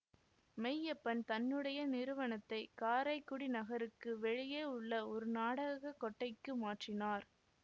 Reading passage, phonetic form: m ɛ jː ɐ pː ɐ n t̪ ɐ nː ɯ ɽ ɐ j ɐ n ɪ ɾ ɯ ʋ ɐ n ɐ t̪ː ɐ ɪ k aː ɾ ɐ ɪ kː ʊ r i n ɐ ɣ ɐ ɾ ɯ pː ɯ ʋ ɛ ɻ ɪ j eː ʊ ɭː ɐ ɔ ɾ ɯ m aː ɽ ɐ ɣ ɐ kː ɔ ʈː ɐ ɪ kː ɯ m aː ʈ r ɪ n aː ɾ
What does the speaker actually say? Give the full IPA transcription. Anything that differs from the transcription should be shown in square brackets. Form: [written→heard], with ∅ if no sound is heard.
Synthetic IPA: m ɛ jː ɐ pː ɐ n t̪ ɐ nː ɯ ɽ ɐ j ɐ n ɪ ɾ ɯ ʋ ɐ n ɐ t̪ː ɐ ɪ k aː ɾ ɐ ɪ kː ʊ [r→ɽ] i n ɐ ɣ ɐ ɾ ɯ [pː→kː] ɯ ʋ ɛ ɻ ɪ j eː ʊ ɭː ɐ ɔ ɾ ɯ [m→n] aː ɽ ɐ ɣ ɐ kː ɔ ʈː ɐ ɪ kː ɯ m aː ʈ r ɪ n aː ɾ